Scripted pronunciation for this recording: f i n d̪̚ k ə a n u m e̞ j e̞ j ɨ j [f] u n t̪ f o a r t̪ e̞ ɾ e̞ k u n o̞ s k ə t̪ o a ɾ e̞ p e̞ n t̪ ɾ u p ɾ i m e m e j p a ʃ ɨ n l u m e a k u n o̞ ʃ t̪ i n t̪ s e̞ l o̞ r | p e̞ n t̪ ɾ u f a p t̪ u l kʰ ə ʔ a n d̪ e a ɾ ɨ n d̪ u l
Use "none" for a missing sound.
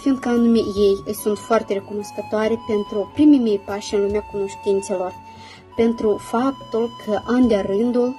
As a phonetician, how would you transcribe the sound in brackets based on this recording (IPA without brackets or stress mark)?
s